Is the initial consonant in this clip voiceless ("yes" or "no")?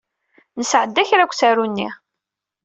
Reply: no